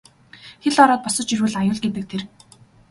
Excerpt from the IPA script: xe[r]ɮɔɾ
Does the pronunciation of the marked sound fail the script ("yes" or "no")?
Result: yes